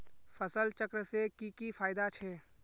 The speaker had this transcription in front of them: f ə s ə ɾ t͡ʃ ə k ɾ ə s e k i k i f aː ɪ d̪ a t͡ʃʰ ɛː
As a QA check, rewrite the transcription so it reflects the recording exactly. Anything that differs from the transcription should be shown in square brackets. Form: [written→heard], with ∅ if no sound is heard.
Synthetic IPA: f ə s ə [ɾ→l] t͡ʃ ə k ɾ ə s e k i k i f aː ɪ d̪ a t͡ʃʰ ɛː